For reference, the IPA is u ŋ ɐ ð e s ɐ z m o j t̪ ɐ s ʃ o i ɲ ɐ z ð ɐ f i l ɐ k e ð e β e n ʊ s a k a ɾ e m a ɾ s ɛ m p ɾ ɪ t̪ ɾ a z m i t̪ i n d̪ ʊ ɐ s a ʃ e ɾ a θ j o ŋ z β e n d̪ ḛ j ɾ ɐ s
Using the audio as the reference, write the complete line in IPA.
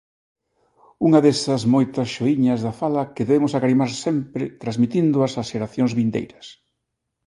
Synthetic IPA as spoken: u ŋ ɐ ð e s ɐ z m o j t̪ ɐ s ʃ o i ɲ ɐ z ð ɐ f a l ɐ k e ð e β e m ʊ s a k a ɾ i m a ɾ s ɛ m p ɾ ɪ t̪ ɾ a z m i t̪ i n d̪ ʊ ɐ s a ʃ e ɾ a θ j o ŋ z β i n d̪ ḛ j ɾ ɐ s